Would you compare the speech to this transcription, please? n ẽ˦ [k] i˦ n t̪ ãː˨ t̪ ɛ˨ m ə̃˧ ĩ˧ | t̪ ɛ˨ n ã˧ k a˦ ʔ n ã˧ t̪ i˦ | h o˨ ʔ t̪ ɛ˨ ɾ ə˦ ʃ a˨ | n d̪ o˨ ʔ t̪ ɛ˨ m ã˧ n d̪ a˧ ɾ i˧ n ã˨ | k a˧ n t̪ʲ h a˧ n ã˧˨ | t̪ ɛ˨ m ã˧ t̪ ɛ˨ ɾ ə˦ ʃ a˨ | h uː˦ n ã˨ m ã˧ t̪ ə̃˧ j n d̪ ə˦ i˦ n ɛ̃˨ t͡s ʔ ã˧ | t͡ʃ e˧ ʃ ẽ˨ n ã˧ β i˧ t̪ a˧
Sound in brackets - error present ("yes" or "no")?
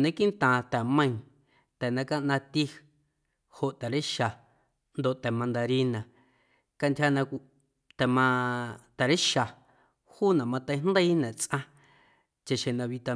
no